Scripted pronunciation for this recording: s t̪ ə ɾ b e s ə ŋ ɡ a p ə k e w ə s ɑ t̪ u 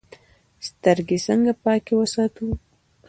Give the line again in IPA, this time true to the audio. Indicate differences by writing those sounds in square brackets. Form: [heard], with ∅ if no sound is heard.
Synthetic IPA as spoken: s t̪ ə ɾ [ɡ] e s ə ŋ ɡ a p [ɑ] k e w ə s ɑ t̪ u